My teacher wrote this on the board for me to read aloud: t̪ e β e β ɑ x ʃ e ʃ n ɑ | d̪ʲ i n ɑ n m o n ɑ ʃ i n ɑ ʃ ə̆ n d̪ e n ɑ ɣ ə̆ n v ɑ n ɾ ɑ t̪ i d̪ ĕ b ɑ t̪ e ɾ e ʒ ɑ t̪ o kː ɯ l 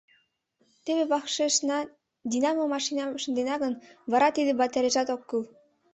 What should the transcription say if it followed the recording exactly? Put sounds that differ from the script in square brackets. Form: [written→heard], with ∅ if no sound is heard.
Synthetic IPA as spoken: t̪ e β e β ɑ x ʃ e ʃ n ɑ | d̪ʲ i n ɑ [n→∅] m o [n→m] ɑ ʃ i n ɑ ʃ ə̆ n d̪ e n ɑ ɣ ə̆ n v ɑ [n→∅] ɾ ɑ t̪ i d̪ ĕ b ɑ t̪ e ɾ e ʒ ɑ t̪ o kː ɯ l